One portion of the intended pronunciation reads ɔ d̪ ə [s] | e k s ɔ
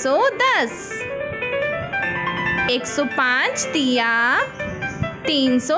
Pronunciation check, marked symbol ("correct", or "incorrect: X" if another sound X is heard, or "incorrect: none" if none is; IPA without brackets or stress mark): correct